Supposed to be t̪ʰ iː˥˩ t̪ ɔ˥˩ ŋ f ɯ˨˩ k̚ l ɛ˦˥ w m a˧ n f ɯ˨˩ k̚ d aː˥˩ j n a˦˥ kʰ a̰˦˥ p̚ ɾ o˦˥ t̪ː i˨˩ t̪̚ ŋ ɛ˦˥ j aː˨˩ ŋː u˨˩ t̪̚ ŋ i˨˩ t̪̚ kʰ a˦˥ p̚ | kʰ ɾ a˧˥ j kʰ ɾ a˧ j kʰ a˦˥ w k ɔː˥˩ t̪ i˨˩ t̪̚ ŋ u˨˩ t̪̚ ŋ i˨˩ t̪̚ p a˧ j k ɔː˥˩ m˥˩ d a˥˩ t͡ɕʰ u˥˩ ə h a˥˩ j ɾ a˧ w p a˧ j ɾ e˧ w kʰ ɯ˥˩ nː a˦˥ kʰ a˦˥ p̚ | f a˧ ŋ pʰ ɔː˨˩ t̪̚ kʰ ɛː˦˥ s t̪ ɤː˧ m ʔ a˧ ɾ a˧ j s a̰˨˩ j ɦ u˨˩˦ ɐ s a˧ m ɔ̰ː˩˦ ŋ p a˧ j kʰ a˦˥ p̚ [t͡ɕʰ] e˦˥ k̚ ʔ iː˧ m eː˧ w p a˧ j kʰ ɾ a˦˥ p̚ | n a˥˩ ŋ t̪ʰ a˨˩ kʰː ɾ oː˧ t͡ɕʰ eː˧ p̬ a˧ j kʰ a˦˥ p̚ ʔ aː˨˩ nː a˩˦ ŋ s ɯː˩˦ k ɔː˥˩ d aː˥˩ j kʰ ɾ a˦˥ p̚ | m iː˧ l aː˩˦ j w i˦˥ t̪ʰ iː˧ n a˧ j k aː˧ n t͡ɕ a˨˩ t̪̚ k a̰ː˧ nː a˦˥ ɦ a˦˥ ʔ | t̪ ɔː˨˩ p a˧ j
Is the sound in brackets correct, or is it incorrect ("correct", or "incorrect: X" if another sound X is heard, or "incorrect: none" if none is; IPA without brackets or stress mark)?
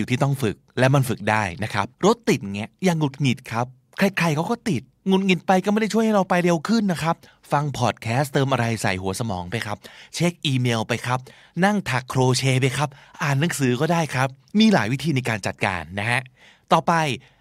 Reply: correct